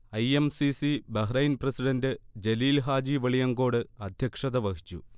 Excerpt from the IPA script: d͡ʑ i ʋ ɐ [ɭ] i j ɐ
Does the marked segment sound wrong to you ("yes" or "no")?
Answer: no